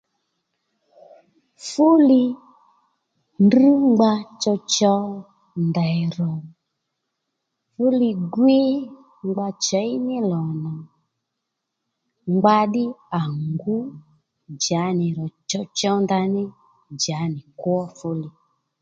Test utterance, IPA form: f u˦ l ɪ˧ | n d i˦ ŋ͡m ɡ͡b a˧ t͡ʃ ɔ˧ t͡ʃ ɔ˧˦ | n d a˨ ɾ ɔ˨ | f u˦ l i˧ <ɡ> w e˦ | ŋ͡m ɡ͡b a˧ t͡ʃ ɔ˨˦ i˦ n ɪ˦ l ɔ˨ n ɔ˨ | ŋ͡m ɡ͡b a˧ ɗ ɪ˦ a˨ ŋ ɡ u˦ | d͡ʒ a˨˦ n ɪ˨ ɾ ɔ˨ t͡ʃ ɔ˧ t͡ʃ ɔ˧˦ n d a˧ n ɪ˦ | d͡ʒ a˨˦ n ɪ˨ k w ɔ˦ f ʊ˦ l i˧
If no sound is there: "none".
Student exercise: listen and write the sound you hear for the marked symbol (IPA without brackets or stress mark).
ɡ